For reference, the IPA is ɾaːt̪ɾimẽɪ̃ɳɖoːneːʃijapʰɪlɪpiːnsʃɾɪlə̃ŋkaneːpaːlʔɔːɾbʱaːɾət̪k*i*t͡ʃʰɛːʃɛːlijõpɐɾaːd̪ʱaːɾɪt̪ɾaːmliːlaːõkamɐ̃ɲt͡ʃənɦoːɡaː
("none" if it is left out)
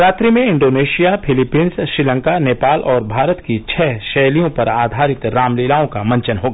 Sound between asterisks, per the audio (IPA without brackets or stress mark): i